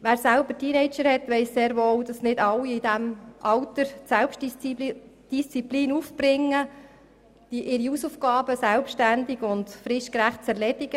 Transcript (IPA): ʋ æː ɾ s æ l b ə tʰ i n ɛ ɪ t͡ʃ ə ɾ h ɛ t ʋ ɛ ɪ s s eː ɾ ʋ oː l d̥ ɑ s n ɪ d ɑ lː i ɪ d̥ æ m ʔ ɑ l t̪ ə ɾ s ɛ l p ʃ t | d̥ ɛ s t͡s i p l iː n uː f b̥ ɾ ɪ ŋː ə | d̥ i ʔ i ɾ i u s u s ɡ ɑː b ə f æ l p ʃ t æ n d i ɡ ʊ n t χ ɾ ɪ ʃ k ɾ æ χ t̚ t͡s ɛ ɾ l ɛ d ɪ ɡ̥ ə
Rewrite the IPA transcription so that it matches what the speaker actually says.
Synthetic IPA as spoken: ʋ æː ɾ s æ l b ə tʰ i n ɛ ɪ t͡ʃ ə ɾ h ɛ t ʋ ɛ ɪ s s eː ɾ ʋ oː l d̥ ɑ s n ɪ d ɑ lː i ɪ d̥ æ m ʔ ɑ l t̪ ə ɾ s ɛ l p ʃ t | d̥ i s t͡s i p l iː n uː f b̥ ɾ ɪ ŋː ə | d̥ i ʔ ɪ ɾ i u s u f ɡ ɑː b ə s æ l p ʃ t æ n d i ɡ ʊ n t f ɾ ɪ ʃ k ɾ æ χ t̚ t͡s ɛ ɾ l ɛ d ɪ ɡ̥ ə

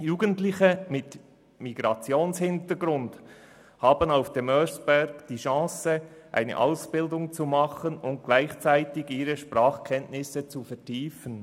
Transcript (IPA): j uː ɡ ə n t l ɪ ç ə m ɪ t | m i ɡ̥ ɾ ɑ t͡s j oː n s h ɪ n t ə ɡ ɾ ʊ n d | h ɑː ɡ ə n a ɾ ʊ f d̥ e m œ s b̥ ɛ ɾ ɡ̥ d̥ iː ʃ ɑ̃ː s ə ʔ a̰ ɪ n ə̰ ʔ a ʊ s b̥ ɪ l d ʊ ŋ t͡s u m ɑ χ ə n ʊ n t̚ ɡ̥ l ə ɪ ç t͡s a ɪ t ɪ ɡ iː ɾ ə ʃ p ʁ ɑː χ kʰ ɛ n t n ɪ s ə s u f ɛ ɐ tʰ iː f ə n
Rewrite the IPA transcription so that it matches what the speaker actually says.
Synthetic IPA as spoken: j uː ɡ ə n t l ɪ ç ə m ɪ t | m i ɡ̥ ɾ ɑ t͡s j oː n s h ɪ n t ə ɡ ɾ ʊ n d | h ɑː b ə n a ʊ f d̥ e m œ s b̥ ɛ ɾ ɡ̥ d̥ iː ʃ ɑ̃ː s ə ʔ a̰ ɪ n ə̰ ʔ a ʊ s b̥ ɪ l d ʊ ŋ t͡s u m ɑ χ ə n ʊ n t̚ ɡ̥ l a ɪ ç t͡s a ɪ t ɪ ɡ iː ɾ ə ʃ p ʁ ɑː χ kʰ ɛ n t n ɪ s ə t͡s u f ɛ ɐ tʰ iː f ə n

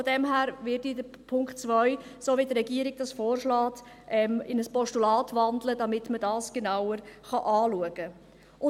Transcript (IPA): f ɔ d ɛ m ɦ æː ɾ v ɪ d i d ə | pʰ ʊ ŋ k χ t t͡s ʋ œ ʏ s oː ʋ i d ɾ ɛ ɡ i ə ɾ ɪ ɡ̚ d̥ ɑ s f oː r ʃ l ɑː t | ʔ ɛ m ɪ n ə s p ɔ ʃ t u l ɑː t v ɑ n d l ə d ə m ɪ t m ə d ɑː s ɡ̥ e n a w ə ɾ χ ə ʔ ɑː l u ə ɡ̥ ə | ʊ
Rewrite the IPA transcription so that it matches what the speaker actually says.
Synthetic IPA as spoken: f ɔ d ɛ m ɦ æː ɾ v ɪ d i d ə | pʰ ʊ ŋ k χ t t͡s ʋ œ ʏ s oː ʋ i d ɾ ɛ ɡ i ə ɾ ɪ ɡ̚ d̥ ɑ s f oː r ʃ l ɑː t | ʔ ɛ m ɪ n ə s p ɔ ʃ t u l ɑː t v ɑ n d l ə d ɑ m ɪ t m ə d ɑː s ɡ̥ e n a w ə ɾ χ ɑ ʔ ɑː l u ə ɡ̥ ə | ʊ

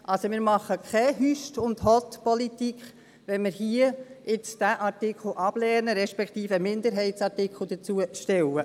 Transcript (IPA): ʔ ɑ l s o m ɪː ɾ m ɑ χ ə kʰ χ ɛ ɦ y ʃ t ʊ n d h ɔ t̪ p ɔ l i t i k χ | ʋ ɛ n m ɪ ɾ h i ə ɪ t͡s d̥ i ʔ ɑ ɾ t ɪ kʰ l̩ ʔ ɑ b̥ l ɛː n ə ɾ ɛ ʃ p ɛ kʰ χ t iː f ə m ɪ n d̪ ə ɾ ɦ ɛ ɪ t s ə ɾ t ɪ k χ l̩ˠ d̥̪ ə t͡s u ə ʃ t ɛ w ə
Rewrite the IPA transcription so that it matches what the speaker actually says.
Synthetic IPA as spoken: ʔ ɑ l s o m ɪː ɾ m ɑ χ ə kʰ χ ɛ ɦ y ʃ t ʊ n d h ɔ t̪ p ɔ l i t i k χ | ʋ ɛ n m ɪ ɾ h i ə ɪ t͡s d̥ æ ʔ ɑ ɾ t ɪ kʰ l̩ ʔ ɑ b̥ l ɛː n ə ɾ ɛ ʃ p ɛ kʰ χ t iː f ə m ɪ n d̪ ə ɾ ɦ ɛ ɪ t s ɑ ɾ t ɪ k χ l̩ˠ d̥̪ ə t͡s u ə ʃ t ɛ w ə

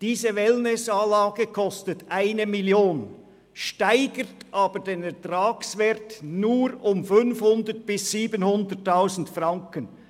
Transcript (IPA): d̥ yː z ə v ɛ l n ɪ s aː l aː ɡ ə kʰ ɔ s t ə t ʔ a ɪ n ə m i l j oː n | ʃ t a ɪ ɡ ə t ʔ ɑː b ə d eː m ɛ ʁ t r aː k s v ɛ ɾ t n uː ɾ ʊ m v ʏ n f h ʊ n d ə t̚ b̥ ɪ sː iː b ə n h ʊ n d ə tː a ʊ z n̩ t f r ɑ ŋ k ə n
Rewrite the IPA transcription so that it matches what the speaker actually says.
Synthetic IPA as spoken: d̥ iː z ə v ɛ l n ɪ s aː l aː ɡ ə kʰ ɔ s t ə t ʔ a ɪ n ə m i l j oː n | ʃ t a ɪ ɡ ə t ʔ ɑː b ə d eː n ɛ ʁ t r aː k s v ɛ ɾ t n uː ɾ ʊ m f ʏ n f h ʊ n d ə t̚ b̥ ɪ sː iː b ə n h ʊ n d ə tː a ʊ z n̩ t f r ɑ ŋ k ə n

